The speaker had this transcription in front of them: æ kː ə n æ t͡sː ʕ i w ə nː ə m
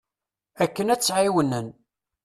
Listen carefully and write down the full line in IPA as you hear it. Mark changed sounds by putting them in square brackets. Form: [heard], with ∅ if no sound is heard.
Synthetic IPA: æ kː ə n æ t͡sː ʕ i w ə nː ə [n]